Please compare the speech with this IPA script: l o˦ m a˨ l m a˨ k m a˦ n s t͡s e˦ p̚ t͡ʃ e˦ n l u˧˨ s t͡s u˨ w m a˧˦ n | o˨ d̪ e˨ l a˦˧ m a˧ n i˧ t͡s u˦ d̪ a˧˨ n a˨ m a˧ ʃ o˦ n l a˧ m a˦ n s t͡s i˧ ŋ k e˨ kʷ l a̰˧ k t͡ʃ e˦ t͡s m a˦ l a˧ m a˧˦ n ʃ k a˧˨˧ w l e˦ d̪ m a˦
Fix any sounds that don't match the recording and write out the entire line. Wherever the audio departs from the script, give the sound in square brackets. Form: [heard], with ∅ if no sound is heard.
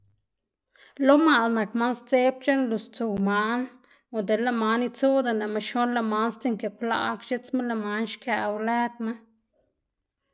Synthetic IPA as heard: l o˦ m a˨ l [n] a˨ k m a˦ n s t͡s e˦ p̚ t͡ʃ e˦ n l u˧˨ s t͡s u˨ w m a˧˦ n | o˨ d̪ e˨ l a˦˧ m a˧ n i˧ t͡s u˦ d̪ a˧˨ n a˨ m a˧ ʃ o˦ n l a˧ m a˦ n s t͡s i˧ ŋ k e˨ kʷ l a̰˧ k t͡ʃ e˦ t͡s m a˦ l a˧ m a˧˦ n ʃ k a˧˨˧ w l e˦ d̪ m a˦